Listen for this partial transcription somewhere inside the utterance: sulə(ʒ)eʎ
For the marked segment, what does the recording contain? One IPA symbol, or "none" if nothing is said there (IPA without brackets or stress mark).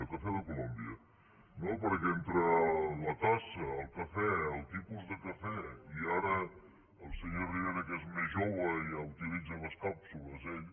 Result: z